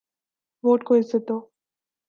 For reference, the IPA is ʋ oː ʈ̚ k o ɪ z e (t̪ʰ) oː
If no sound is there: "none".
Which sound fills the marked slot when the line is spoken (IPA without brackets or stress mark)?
t̪